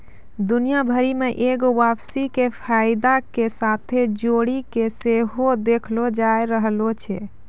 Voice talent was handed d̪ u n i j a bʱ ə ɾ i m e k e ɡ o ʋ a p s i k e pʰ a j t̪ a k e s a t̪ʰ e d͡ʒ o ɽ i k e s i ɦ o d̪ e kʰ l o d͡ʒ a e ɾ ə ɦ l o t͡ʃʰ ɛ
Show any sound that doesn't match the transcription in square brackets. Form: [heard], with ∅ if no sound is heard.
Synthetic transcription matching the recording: d̪ u n i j a bʱ ə ɾ i m e [ʔ] e ɡ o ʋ a p s i k e pʰ a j [d̪] a k e s a t̪ʰ e d͡ʒ o ɽ i k e s [e] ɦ o d̪ e kʰ l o d͡ʒ a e ɾ ə ɦ l o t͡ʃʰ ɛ